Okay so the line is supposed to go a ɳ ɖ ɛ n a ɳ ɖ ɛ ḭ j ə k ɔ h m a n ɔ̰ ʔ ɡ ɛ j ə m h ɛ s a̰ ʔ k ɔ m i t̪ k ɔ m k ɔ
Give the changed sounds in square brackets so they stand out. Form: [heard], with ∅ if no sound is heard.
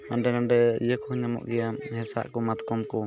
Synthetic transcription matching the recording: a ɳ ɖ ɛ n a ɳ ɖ ɛ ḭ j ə k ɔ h [ɲ] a [m] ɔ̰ ʔ ɡ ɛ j [a] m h ɛ s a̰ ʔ k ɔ m [a] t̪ k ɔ m k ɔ